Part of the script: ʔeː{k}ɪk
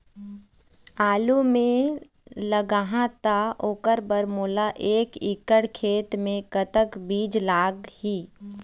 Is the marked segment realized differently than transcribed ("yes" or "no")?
no